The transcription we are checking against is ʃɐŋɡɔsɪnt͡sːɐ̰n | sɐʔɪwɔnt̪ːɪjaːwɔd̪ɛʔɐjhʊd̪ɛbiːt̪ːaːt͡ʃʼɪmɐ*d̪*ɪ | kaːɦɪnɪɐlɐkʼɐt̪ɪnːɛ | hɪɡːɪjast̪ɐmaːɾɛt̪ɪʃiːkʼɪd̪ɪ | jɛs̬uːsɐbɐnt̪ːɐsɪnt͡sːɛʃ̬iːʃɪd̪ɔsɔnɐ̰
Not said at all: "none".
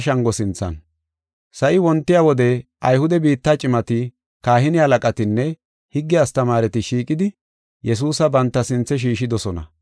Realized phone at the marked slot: t̪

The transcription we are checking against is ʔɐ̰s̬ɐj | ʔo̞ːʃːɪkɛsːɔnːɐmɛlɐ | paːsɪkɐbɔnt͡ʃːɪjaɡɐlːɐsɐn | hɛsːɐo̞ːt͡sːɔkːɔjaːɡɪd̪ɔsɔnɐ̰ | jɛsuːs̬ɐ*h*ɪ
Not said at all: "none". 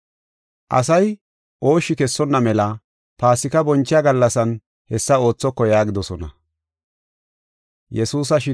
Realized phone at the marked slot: ʃ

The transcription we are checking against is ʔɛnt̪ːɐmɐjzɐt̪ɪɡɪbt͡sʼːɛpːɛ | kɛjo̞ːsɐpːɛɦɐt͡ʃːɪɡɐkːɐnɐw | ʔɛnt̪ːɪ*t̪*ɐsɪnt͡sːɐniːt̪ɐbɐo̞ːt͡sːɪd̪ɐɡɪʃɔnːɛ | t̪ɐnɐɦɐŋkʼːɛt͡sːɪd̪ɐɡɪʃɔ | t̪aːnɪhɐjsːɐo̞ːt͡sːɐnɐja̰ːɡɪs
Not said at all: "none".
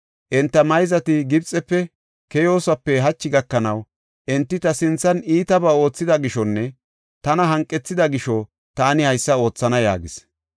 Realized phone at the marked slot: t̪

